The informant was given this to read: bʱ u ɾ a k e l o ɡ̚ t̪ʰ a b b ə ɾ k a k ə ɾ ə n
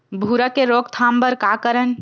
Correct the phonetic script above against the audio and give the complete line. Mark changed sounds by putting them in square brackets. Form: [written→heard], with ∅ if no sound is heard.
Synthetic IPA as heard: bʱ u ɾ a k e [l→ɾ] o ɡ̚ t̪ʰ a [b→m] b ə ɾ k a k ə ɾ ə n